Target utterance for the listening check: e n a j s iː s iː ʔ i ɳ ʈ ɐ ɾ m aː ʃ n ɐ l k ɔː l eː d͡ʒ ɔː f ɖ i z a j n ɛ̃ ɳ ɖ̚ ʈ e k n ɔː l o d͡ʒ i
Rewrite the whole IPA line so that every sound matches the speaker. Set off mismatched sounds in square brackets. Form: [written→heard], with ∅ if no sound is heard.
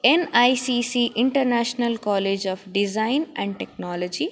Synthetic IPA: e n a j s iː s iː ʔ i ɳ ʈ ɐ ɾ [m→n] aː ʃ n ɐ l k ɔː l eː d͡ʒ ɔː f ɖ i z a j n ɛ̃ ɳ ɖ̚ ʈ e k n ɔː l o d͡ʒ i